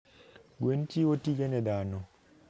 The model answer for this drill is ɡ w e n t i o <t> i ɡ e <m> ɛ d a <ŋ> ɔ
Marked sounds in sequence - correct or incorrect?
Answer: correct, incorrect: n, incorrect: n

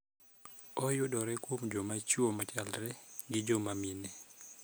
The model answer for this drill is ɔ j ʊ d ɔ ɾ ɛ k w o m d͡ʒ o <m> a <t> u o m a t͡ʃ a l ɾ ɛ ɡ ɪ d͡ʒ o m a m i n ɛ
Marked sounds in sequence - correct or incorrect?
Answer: correct, incorrect: t͡ʃ

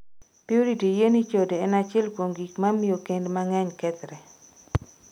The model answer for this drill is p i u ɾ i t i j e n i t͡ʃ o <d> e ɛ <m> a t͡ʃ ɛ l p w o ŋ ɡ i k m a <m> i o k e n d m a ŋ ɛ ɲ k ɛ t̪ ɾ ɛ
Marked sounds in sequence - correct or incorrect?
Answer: correct, incorrect: n, correct

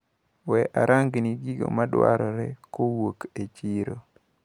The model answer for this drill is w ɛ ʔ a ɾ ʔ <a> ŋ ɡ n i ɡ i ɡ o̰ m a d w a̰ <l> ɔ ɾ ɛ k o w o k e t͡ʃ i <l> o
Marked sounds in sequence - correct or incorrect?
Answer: correct, incorrect: ɾ, incorrect: ɾ

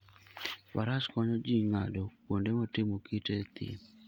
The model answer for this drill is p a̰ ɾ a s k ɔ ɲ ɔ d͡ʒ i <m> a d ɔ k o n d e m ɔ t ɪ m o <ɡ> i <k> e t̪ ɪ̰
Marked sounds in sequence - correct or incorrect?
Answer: incorrect: ŋ, incorrect: k, incorrect: t

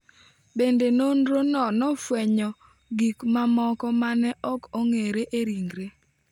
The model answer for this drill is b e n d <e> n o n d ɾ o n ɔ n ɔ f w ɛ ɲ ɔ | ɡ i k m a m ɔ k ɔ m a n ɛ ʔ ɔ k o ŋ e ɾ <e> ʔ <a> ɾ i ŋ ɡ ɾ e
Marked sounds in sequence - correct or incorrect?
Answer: correct, correct, incorrect: e

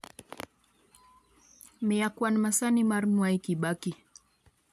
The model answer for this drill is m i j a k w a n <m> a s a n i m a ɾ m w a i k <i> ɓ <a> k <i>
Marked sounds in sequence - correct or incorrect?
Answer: correct, correct, correct, correct

